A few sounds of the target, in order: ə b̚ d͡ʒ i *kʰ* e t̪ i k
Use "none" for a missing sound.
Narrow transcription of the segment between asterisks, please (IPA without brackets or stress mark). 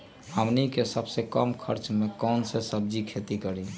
kʰ